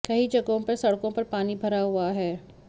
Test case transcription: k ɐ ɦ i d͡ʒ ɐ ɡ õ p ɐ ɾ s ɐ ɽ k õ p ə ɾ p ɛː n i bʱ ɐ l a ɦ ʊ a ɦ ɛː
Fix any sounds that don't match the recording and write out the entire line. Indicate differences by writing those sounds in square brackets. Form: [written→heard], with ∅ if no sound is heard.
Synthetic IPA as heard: k ɐ ɦ i d͡ʒ ɐ ɡ õ p ɐ ɾ s ɐ ɽ k õ p [ə→ɐ] ɾ p [ɛː→aː] n i bʱ ɐ [l→ɾ] a ɦ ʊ a ɦ ɛː

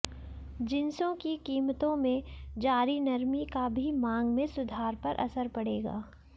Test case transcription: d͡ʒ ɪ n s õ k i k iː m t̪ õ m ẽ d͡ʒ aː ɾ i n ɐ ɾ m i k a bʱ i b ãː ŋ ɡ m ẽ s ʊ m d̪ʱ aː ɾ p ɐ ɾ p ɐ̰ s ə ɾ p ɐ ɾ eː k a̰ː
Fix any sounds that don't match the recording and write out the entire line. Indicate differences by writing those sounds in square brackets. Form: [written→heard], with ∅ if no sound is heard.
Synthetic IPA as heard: d͡ʒ ɪ n s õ k i k iː m t̪ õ m ẽ d͡ʒ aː ɾ i n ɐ ɾ m i k a bʱ i [b→m] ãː ŋ ɡ m ẽ s ʊ [m→∅] d̪ʱ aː ɾ p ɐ ɾ [p→ʔ] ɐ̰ s ə ɾ p ɐ [ɾ→ɽ] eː [k→ɡ] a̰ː

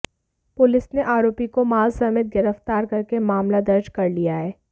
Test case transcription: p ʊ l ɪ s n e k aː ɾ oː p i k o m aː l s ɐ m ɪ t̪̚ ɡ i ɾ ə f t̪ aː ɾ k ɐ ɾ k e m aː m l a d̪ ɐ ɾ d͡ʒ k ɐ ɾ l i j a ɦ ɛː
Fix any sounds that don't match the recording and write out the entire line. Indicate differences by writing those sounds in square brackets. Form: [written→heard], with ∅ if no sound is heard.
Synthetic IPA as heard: p ʊ l ɪ s n e [k→ʔ] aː ɾ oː p i k o m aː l s ɐ m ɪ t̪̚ ɡ [i→ɪ] ɾ ə f t̪ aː ɾ k ɐ ɾ k e m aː m l a d̪ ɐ ɾ d͡ʒ k ɐ ɾ l i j a ɦ ɛː

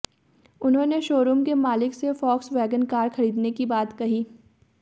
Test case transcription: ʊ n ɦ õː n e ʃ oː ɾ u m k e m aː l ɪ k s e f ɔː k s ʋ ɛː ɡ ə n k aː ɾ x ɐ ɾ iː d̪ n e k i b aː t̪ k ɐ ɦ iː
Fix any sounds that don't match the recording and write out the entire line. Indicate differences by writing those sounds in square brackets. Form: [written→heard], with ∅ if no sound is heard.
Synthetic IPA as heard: ʊ n ɦ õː n e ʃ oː ɾ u m k e m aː l ɪ k s e f ɔː k s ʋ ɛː ɡ ə n k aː ɾ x ɐ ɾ iː d̪ n e k i b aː t̪ k ɐ ɦ iː

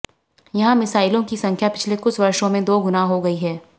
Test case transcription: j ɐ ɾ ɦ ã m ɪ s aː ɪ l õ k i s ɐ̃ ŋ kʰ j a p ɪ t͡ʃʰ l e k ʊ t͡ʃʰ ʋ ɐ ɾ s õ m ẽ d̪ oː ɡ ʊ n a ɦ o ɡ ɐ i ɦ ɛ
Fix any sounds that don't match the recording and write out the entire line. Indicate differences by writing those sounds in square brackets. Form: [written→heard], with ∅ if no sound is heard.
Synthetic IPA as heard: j ɐ [ɾ→∅] ɦ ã m ɪ s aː ɪ l õ k i s ɐ̃ ŋ kʰ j a p ɪ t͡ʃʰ l e k ʊ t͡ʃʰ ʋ ɐ ɾ [s→ʃ] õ m ẽ d̪ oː ɡ ʊ n a ɦ o ɡ ɐ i ɦ [ɛ→ɛː]

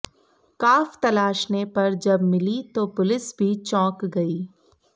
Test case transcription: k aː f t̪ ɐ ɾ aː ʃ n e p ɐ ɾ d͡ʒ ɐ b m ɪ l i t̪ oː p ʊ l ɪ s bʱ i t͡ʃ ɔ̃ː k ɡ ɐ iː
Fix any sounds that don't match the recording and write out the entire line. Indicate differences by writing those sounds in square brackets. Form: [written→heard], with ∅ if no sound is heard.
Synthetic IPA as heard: k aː f t̪ ɐ [ɾ→l] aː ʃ n e p ɐ ɾ d͡ʒ ɐ b m ɪ l i t̪ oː p ʊ l ɪ s bʱ i t͡ʃ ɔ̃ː k ɡ ɐ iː

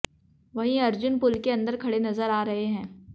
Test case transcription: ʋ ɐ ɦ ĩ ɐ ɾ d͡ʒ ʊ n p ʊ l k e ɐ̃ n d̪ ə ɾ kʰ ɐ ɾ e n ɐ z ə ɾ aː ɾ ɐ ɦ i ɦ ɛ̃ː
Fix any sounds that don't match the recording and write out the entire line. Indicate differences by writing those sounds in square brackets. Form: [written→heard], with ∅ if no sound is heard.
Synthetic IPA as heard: ʋ ɐ ɦ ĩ ɐ ɾ d͡ʒ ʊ n p ʊ l k e ɐ̃ n d̪ ə ɾ kʰ ɐ [ɾ→ɽ] e n ɐ z ə ɾ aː ɾ ɐ ɦ [i→e] ɦ ɛ̃ː

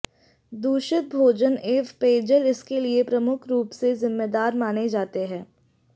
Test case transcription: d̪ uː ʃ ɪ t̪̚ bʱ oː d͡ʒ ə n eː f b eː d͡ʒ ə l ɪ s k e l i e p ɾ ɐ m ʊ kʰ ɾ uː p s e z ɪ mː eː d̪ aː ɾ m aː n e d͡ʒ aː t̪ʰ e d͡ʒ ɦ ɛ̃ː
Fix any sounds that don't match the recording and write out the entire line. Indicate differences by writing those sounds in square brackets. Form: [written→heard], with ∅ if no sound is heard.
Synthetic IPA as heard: d̪ uː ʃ ɪ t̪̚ bʱ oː d͡ʒ ə n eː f [b→p] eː d͡ʒ ə l ɪ s k e l i e p ɾ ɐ m ʊ kʰ ɾ uː p s e z ɪ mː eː d̪ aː ɾ m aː n e d͡ʒ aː [t̪ʰ→t̪] e [d͡ʒ→∅] ɦ ɛ̃ː

